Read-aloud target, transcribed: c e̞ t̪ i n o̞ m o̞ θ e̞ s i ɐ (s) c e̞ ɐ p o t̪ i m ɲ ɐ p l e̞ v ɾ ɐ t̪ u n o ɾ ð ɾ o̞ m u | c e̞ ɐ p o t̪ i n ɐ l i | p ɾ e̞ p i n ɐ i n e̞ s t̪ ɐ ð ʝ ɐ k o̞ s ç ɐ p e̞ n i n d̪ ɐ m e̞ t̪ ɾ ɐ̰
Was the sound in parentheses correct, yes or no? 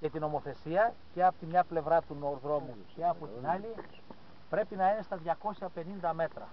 no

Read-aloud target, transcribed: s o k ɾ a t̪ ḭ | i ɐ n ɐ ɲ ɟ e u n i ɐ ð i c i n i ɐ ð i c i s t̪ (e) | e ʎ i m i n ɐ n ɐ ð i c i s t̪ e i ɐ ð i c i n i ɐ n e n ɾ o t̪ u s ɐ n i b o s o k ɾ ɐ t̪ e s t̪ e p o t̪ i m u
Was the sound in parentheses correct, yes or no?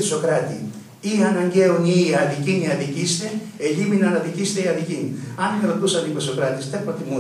yes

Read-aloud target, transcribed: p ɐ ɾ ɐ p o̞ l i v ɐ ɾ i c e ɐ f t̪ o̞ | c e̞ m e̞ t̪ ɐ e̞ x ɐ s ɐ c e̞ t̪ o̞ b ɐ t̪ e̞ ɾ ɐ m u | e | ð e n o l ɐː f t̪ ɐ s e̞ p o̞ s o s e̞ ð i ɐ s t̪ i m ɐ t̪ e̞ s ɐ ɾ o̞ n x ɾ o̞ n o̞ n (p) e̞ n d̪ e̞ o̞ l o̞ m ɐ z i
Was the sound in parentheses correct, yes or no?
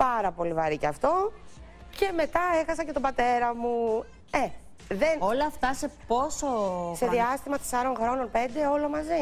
yes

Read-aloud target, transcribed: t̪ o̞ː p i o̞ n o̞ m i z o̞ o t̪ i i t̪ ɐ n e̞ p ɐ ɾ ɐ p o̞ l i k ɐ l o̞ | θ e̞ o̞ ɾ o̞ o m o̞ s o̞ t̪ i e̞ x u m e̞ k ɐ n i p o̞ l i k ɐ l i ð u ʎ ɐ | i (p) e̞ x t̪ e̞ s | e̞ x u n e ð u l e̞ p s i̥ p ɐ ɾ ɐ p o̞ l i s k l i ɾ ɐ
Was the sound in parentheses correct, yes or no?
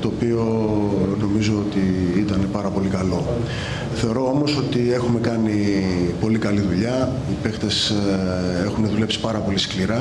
yes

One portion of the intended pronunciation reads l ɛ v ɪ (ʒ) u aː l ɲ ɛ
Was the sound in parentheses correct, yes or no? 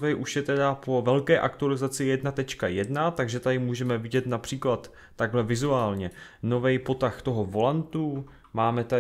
no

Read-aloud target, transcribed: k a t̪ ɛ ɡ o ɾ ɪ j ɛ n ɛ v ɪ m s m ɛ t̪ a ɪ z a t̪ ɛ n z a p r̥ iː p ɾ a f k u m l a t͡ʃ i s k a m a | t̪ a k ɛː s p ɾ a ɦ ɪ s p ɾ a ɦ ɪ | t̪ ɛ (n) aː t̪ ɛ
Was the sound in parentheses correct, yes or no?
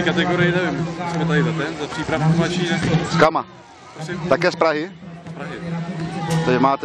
no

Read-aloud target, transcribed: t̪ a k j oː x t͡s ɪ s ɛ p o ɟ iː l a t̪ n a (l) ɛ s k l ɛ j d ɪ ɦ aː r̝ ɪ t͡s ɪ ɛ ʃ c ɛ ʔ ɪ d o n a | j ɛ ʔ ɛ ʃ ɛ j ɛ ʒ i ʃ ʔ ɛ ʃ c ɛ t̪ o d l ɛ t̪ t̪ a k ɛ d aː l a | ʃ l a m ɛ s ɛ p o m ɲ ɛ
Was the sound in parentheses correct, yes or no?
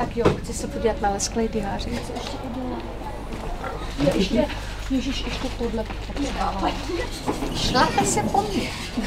yes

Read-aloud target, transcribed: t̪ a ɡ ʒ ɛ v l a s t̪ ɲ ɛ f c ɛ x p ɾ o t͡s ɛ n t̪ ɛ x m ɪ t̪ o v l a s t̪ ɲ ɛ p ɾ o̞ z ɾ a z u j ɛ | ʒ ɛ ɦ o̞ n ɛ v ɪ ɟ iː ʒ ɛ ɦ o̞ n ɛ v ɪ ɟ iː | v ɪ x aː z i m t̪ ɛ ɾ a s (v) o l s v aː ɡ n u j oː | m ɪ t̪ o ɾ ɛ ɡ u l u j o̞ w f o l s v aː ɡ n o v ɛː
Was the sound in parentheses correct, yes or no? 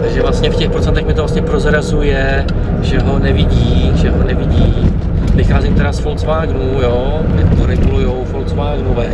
no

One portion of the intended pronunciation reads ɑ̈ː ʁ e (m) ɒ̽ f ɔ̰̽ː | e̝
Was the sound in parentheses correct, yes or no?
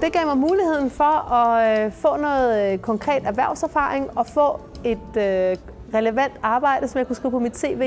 no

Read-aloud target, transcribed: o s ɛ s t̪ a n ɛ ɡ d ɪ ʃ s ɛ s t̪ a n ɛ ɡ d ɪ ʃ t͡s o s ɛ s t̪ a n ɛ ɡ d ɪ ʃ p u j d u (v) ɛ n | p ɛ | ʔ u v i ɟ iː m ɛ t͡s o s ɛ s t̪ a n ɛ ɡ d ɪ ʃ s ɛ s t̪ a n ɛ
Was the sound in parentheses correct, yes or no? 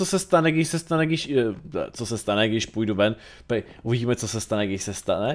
yes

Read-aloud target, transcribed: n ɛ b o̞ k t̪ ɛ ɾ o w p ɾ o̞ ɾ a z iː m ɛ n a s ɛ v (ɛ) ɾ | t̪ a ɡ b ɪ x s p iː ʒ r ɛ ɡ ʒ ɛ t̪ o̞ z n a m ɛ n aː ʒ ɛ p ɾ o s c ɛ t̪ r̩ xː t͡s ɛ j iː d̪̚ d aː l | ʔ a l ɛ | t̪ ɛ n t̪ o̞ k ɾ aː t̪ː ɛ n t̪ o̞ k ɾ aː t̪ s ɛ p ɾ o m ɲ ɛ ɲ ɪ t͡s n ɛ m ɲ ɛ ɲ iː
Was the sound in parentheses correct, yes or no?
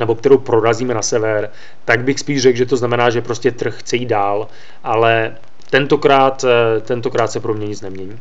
yes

